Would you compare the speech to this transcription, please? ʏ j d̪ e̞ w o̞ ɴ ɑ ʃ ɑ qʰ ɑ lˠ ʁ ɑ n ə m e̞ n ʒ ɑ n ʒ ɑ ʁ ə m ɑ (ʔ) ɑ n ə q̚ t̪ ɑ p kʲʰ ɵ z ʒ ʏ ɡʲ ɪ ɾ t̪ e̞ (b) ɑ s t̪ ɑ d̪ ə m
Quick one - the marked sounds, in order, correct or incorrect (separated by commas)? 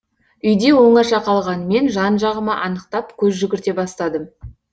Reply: correct, correct